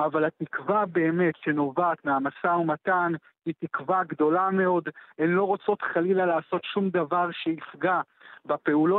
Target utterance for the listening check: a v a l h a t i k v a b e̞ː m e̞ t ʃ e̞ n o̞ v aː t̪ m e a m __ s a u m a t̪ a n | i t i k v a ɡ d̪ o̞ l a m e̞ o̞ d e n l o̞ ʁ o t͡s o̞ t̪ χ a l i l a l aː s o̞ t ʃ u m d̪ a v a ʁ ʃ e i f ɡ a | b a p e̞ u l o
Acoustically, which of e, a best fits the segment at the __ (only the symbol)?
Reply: a